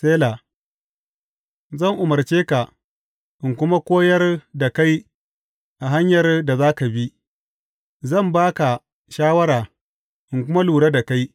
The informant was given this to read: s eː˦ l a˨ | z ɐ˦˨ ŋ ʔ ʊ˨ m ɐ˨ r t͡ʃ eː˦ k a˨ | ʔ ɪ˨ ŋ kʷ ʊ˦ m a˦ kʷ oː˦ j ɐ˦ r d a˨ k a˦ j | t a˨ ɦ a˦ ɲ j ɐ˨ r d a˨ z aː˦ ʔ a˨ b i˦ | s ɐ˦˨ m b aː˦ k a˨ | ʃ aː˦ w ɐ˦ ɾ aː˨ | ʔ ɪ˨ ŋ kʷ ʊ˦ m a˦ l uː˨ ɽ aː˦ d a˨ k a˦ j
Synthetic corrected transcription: s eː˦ l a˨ | z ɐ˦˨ ŋ ʔ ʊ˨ m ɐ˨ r t͡ʃ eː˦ k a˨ | ʔ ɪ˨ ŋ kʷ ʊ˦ m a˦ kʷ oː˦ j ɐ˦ r d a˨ k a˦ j | ʔ a˨ ɦ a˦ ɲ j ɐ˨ r d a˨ z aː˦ k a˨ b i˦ | z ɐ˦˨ m b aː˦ k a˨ | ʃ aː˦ w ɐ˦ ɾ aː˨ | ʔ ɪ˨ ŋ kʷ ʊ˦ m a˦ l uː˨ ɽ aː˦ d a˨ k a˦ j